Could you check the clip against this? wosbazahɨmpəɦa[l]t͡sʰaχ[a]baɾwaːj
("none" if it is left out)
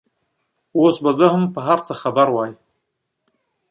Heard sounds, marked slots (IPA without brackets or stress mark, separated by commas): ɾ, a